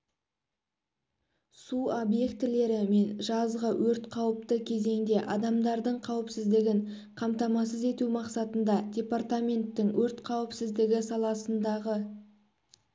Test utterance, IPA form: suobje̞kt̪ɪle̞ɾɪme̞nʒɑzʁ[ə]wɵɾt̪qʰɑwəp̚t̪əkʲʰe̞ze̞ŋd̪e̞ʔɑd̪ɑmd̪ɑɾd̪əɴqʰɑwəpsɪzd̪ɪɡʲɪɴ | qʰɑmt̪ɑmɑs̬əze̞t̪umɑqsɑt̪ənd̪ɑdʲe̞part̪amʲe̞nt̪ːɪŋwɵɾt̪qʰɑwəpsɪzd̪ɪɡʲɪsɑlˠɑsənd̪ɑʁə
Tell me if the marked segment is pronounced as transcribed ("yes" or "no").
yes